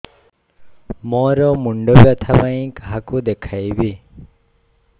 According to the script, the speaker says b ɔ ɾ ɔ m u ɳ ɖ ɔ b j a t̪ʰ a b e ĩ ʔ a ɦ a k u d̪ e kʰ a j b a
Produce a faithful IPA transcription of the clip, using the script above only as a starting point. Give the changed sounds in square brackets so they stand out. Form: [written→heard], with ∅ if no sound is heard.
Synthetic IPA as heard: [b→m] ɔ ɾ ɔ m u ɳ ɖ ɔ b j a t̪ʰ a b [e→a] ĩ [ʔ→k] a ɦ a k u d̪ e kʰ a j b [a→i]